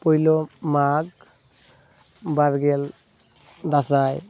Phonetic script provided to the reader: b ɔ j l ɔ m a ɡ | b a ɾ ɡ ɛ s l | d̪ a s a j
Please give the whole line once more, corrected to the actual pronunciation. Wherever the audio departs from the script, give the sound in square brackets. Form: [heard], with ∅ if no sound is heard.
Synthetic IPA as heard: [p] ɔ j l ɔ m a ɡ | b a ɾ ɡ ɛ [∅] l | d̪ a s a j